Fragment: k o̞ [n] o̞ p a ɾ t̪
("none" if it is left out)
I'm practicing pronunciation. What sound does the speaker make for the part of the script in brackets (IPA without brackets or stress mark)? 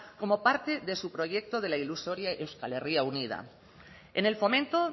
m